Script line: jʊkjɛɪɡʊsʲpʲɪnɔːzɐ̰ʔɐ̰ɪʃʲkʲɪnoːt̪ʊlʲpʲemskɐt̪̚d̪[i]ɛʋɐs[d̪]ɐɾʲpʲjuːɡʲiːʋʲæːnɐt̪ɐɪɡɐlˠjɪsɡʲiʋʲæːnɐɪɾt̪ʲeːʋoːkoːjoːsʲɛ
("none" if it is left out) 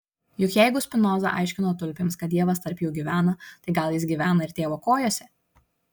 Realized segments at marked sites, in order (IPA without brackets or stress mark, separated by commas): i, t̪